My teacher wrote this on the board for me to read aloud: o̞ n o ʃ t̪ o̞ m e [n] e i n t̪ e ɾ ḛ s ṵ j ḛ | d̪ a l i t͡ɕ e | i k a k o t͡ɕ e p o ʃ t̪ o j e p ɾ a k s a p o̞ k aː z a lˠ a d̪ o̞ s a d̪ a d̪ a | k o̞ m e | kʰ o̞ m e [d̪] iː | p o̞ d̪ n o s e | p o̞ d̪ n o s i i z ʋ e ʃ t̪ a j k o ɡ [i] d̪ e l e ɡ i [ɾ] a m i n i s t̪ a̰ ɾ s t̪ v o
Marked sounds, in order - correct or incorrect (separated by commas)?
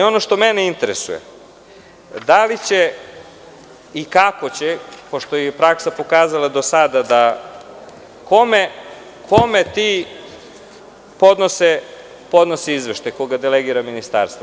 correct, incorrect, incorrect, correct